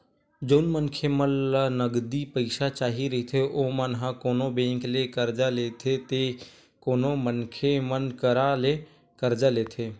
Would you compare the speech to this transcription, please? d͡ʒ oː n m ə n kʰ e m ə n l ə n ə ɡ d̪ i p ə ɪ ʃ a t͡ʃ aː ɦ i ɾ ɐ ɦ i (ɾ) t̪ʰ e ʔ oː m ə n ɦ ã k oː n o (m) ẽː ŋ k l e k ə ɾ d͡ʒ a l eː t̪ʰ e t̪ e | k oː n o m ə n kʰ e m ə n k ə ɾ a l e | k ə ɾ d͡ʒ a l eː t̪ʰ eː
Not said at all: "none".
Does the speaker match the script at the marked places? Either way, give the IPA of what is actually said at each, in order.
none, b

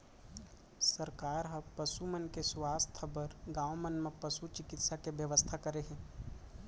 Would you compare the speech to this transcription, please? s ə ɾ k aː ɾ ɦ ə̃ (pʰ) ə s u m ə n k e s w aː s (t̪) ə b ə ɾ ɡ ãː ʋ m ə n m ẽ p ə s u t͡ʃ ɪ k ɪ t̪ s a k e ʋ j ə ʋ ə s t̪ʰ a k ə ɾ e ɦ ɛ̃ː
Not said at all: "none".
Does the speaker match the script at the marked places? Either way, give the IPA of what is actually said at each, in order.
p, t̪ʰ

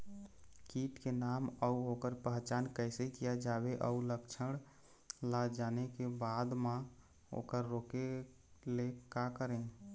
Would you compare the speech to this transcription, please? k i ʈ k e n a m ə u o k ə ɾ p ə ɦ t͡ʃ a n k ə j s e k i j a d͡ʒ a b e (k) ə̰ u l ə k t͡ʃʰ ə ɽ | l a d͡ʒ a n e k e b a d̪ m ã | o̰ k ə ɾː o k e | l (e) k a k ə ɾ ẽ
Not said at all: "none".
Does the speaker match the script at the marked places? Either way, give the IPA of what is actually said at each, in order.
ʔ, e

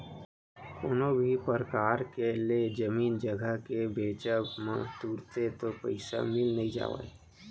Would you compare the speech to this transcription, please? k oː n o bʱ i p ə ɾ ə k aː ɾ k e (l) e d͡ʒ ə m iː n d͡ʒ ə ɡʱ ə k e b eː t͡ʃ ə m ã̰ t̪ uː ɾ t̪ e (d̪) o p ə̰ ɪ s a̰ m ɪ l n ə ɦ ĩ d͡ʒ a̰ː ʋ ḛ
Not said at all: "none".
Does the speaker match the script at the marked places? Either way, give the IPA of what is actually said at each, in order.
l, t̪

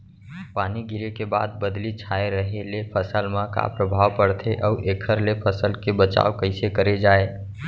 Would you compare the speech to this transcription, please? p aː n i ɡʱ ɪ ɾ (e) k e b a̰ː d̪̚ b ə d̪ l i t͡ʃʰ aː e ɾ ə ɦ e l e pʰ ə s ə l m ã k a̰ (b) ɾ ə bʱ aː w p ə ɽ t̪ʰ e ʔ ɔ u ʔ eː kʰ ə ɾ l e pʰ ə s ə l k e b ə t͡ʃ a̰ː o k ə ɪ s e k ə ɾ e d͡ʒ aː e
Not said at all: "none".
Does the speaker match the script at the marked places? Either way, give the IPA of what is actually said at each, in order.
e, p

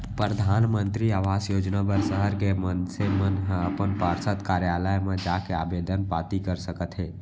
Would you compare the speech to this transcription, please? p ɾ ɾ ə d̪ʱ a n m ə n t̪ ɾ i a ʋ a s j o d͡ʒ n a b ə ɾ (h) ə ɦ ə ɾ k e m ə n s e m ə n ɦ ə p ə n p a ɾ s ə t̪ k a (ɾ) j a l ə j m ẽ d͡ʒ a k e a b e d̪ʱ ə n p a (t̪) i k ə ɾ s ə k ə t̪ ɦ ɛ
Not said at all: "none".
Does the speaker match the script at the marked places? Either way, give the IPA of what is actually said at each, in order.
s, ɾ, t̪

